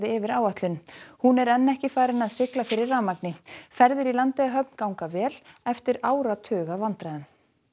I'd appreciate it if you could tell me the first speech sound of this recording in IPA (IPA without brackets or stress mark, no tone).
ð